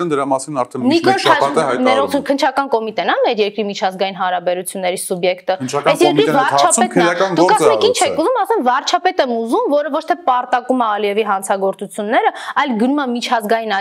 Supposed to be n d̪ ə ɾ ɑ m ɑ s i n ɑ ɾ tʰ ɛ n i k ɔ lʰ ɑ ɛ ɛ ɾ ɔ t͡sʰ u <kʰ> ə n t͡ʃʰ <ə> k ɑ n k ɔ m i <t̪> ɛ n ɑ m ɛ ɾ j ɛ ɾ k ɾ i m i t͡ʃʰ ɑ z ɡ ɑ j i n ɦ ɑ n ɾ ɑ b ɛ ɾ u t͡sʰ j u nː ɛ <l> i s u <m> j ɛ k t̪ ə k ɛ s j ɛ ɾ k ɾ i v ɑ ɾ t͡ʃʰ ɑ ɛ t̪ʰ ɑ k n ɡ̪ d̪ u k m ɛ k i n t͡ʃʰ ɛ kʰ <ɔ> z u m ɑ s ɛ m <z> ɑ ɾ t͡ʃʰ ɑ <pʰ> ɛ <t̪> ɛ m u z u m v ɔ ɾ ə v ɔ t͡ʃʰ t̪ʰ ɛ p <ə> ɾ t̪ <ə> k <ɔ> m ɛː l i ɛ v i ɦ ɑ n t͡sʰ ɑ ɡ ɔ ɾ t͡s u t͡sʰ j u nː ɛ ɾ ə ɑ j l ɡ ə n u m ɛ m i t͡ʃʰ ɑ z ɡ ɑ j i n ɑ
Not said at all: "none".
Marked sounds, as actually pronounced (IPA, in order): kʰ, ɑ, t̪, ɾ, b, u, v, p, t̪, ɑ, ɑ, u

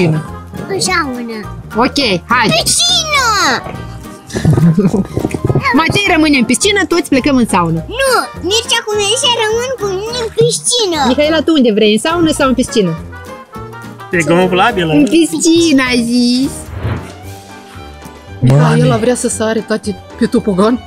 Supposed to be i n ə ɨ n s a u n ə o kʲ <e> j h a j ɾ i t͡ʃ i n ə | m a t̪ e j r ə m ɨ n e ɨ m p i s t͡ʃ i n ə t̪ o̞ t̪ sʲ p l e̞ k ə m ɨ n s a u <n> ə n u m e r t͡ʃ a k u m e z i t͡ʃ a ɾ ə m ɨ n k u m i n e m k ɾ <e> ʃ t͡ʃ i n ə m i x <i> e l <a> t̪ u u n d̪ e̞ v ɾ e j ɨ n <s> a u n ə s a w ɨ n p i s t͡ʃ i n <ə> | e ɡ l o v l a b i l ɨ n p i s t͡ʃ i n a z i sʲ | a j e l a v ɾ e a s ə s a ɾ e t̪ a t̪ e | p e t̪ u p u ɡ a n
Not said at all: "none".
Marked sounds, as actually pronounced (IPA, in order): e, n, i, a, a, s, ə

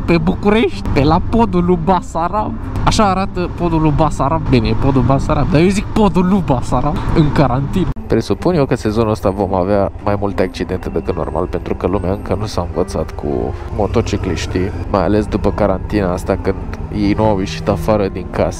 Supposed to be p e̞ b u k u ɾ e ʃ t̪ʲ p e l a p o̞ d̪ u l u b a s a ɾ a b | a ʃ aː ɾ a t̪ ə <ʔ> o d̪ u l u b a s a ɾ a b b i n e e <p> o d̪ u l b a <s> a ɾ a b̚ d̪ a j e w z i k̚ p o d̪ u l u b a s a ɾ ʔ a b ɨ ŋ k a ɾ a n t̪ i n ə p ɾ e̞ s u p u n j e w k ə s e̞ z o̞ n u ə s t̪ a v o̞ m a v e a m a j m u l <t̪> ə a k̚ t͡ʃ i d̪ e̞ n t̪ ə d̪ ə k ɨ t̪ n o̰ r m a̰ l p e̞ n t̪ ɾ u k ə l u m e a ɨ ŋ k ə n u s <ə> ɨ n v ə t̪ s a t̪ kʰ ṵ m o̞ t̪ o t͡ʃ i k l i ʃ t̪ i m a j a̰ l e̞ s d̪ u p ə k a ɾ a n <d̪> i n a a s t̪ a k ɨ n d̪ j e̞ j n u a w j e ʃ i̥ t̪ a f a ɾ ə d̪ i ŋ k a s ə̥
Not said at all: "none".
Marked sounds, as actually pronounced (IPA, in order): p, p, s, t̪, a, t̪

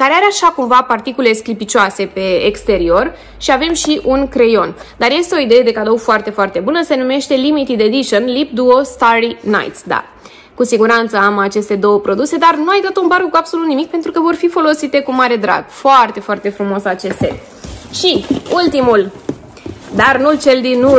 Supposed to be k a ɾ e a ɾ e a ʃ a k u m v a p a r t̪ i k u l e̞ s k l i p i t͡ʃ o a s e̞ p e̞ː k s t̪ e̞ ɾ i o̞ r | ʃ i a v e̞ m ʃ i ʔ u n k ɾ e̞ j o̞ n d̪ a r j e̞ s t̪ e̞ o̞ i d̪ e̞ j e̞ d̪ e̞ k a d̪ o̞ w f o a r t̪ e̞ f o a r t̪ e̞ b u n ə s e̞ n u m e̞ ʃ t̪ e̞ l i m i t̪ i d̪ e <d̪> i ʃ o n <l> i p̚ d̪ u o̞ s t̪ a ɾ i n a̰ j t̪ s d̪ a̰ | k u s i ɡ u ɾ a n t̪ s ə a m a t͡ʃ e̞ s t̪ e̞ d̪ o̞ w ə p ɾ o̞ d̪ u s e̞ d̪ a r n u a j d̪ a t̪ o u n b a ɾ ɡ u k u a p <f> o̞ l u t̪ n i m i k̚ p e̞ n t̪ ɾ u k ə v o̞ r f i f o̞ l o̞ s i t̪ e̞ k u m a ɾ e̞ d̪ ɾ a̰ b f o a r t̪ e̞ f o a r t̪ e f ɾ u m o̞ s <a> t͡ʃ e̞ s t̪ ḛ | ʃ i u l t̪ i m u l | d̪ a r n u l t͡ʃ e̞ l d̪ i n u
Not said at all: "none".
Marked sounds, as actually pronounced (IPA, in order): d̪, l, s, a

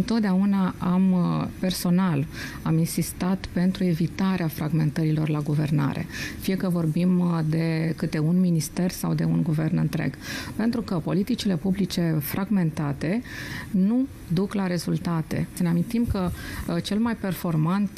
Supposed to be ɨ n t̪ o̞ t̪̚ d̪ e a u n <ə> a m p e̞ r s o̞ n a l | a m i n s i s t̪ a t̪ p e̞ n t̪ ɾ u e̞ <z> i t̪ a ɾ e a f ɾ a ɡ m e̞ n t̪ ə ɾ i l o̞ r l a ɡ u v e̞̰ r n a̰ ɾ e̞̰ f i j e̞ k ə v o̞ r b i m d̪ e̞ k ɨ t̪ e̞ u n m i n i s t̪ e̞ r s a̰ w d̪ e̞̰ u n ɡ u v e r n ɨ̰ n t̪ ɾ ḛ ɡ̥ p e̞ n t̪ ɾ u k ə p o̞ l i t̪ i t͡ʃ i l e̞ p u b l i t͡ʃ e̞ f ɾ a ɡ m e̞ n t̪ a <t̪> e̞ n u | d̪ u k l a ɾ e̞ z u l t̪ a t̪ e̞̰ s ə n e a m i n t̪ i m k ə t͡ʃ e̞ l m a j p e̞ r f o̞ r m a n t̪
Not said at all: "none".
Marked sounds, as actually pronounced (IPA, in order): a, v, t̪

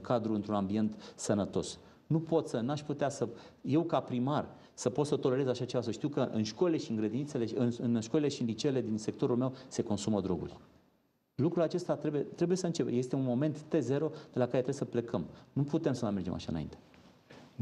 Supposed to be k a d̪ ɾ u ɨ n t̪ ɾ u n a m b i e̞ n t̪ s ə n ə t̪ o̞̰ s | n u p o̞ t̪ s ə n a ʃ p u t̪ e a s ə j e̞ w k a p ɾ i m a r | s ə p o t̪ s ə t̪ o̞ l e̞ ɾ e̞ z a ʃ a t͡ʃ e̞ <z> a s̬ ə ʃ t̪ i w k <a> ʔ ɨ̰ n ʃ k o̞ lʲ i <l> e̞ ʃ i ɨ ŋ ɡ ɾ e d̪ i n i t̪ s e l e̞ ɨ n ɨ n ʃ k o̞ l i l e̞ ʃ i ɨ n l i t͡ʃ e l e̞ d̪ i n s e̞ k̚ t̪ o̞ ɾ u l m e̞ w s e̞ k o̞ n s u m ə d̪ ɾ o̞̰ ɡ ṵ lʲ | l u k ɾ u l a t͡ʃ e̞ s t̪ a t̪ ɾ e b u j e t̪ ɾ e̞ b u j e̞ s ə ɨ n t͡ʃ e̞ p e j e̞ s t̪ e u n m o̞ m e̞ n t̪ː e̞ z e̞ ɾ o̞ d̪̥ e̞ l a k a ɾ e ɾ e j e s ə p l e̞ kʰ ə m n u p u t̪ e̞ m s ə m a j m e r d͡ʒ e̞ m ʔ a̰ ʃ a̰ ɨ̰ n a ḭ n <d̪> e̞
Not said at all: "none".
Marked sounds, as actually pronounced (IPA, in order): v, ə, l, t̪

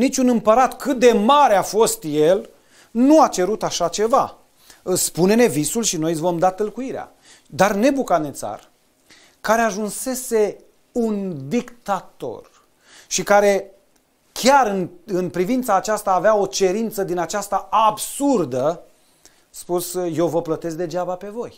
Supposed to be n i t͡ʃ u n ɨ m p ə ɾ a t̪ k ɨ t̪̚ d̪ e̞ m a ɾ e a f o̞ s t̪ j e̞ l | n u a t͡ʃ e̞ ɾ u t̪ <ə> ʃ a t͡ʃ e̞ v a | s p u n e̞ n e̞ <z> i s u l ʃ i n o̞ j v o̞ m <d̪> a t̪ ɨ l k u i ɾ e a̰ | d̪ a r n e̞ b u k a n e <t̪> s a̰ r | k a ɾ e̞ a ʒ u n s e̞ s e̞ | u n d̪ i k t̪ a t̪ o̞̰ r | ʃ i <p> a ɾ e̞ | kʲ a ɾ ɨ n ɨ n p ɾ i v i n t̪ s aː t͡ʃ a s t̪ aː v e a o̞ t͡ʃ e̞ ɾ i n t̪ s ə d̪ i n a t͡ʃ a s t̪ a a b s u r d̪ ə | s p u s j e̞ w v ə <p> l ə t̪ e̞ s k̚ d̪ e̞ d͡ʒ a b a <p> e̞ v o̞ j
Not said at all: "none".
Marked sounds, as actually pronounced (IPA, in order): a, v, d̪, t̪, k, p, p

